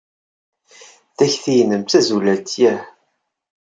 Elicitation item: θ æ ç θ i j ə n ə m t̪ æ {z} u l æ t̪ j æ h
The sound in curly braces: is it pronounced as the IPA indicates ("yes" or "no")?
yes